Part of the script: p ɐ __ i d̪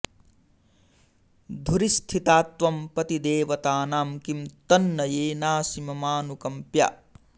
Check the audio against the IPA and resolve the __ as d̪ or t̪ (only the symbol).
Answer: t̪